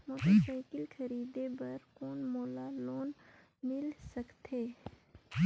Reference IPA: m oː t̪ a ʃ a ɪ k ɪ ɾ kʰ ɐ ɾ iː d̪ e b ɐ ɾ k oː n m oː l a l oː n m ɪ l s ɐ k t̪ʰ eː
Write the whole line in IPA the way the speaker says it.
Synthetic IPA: m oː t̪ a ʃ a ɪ k ɪ l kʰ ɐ ɾ iː d̪ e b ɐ ɾ k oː n m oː l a l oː n m ɪ l s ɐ k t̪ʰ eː

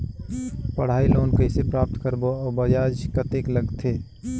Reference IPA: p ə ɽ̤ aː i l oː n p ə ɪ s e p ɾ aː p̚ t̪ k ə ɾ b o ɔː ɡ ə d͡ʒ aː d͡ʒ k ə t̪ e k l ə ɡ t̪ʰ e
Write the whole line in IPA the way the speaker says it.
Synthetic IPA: p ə ɽ̤ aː i l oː n k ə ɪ s e p ɾ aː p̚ t̪ k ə ɾ b o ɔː b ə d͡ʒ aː d͡ʒ k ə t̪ e k l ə ɡ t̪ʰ e

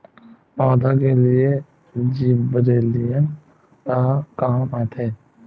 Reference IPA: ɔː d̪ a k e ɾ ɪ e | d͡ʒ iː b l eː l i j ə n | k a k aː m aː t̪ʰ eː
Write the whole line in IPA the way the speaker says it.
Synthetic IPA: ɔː d̪ a k e l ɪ e | d͡ʒ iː b ɾ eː l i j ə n | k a k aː m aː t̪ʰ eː

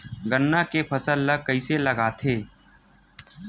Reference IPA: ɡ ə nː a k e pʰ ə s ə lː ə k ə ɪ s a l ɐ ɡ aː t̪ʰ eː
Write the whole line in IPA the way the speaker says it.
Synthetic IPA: ɡ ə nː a k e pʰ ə s ə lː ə k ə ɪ s e l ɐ ɡ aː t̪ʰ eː

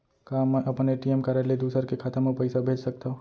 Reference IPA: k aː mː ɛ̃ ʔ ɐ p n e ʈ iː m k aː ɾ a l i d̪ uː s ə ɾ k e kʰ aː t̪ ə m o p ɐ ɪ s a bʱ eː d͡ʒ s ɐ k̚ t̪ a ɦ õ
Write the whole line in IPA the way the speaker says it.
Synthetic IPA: k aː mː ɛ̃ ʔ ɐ p n e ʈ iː m k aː ɾ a l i d̪ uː s ə ɾ k e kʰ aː t̪ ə m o p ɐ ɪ s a bʱ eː d͡ʒ s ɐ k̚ t̪ a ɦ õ

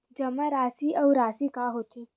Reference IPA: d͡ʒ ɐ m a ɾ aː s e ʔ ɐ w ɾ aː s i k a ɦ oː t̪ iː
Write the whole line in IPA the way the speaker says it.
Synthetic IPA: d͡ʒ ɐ m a ɾ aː s i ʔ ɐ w ɾ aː s i k a ɦ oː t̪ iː

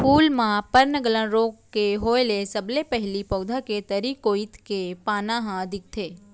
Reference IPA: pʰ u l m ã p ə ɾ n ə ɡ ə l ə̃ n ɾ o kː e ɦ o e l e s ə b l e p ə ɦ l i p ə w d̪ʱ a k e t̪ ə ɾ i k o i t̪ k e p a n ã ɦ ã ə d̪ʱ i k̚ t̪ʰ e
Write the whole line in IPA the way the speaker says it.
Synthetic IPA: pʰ u l m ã p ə ɾ n ə ɡ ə l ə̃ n ɾ o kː e ɦ o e l e s ə b l e p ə ɦ l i p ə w d̪ʱ a k e t̪ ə ɾ i k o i t̪ k e p a n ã ɦ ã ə d̪ʱ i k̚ t̪ʰ e

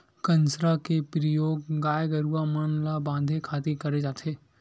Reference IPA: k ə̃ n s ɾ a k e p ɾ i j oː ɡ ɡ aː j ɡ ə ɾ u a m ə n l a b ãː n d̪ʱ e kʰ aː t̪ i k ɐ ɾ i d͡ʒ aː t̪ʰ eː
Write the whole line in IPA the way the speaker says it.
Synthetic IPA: k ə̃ n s ɾ a k e p ɾ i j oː ɡ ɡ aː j ɡ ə ɾ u a m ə n l a b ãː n d̪ʱ e kʰ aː t̪ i k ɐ ɾ e d͡ʒ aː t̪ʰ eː

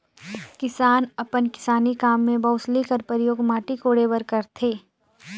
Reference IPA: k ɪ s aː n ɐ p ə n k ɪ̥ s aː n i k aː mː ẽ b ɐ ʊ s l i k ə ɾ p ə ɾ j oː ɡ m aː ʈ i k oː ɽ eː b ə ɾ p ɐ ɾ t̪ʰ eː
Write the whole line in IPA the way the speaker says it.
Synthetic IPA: k ɪ s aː n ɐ p ə n k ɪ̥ s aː n i k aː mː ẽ b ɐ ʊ s l i k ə ɾ p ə ɾ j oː ɡ m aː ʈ i k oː ɽ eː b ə ɾ k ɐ ɾ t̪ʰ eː

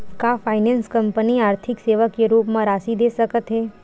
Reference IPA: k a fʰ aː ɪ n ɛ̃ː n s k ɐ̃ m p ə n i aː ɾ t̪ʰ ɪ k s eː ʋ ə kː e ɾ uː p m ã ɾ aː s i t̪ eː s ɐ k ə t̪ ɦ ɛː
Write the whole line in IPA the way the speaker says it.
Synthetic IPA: k a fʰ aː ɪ n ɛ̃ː n s k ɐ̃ m p ə n i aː ɾ t̪ʰ ɪ k s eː ʋ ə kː e ɾ uː p m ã ɾ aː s i d̪ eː s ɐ k ə t̪ ɦ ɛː

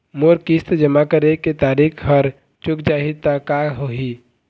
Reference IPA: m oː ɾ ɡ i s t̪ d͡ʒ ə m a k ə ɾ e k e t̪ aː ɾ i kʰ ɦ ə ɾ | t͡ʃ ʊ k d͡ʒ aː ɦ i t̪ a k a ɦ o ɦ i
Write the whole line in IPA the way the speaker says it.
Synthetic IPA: m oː ɾ k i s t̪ d͡ʒ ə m a k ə ɾ e k e t̪ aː ɾ i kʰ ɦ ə ɾ | t͡ʃ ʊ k d͡ʒ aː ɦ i t̪ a k a ɦ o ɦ i

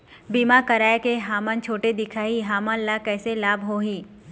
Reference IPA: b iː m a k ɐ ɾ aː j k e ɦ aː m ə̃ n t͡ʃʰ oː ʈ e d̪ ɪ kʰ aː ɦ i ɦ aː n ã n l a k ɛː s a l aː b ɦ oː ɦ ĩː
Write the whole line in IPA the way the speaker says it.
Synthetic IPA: b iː m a k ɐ ɾ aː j k e ɦ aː m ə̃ n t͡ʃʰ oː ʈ e d̪ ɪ kʰ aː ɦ i ɦ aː m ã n l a k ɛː s e l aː b ɦ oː ɦ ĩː

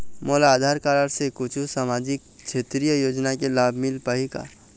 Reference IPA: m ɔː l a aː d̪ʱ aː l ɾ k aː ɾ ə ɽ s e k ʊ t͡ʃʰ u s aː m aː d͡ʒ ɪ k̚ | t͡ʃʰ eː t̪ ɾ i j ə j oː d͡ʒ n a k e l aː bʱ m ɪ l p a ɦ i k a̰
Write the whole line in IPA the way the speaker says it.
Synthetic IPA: m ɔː l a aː d̪ʱ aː ɾ k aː ɾ ə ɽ s e k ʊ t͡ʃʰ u s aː m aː d͡ʒ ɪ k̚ | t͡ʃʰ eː t̪ ɾ i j ə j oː d͡ʒ n a k e l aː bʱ m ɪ l p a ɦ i k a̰

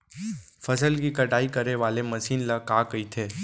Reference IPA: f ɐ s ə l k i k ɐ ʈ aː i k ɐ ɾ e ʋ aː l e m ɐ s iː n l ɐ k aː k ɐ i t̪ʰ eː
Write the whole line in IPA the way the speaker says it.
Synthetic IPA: f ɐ s ə l k i k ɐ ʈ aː i k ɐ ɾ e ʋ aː l e m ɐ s iː n l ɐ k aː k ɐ i t̪ʰ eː

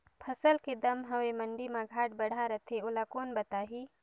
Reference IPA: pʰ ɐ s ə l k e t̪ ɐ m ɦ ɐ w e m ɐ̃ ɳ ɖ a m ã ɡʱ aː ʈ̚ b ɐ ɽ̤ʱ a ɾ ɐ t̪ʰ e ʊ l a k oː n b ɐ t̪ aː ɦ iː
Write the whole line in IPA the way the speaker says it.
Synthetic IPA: pʰ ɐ s ə l k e d̪ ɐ m ɦ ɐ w e m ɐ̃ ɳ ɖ i m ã ɡʱ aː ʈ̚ b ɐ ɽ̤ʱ a ɾ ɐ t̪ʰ e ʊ l a k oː n b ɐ t̪ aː ɦ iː

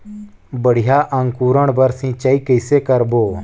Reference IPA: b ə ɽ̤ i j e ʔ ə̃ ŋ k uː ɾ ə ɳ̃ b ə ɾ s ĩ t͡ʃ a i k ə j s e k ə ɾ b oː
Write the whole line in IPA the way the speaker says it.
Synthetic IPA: b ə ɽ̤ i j a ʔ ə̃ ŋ k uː ɾ ə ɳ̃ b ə ɾ s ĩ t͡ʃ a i k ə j s e k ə ɾ b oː

